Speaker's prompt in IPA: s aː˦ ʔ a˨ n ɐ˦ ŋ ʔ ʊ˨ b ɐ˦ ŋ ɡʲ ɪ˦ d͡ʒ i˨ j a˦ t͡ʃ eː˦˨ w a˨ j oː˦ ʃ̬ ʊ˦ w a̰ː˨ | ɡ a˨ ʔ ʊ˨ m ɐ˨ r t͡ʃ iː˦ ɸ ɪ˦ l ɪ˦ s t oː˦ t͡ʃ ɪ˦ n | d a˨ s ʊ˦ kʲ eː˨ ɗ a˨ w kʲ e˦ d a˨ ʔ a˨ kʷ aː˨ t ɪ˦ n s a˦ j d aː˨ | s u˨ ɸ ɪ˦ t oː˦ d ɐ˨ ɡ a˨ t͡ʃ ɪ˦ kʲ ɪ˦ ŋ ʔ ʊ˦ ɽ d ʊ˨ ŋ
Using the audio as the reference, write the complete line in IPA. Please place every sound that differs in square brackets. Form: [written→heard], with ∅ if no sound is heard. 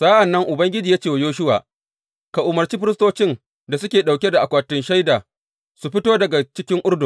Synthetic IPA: s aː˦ ʔ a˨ [n→nː] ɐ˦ ŋ ʔ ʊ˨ b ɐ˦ ŋ ɡʲ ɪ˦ d͡ʒ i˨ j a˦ t͡ʃ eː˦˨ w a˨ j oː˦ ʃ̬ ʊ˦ w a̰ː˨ | [ɡ→k] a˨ ʔ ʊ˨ m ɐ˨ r t͡ʃ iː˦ ɸ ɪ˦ [l→ɾ] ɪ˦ s t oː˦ t͡ʃ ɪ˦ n | d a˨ s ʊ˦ kʲ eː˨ ɗ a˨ w kʲ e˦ d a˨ ʔ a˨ kʷ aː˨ t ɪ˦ n [s→ʃ] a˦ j d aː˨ | s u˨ ɸ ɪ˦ t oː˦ d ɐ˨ ɡ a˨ t͡ʃ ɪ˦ kʲ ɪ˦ ŋ ʔ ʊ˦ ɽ d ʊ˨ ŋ